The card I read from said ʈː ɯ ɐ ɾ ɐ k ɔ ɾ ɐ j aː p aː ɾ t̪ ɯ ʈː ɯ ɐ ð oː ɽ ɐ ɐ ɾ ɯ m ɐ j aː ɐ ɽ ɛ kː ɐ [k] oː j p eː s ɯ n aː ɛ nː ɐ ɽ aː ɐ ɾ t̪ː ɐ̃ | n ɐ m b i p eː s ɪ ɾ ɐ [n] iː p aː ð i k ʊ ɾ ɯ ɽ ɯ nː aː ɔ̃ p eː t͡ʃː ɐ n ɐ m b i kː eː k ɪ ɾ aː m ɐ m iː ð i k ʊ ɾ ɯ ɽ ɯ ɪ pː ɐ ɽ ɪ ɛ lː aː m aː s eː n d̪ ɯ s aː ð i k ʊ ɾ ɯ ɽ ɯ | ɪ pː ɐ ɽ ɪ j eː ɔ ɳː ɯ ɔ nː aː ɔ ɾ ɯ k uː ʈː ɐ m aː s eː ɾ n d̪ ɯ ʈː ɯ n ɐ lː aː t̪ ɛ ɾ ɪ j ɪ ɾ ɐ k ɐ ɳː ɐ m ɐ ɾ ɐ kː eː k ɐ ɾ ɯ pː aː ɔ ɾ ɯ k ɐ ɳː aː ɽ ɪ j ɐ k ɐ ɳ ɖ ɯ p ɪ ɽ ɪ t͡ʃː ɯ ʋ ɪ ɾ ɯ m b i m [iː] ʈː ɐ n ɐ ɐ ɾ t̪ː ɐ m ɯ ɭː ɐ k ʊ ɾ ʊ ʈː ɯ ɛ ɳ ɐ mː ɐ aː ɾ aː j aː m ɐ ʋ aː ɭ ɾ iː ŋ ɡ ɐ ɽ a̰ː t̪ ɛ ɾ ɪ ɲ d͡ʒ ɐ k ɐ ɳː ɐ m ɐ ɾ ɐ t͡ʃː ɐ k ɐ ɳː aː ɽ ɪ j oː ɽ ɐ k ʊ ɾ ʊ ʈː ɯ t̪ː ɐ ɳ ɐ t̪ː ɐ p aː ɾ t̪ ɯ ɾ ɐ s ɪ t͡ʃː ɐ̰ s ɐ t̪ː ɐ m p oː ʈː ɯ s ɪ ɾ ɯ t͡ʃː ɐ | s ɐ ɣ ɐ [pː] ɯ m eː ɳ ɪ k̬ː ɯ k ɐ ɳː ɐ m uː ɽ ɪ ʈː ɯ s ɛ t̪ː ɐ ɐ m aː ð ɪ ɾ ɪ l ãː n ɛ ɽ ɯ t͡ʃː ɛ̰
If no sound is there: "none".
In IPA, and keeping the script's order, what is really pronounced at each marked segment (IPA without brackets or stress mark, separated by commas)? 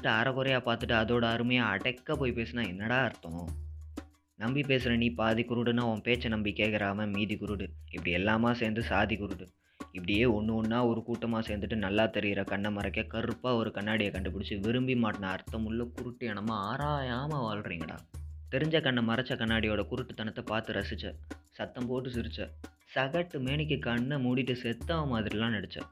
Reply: p, n, aː, ʈː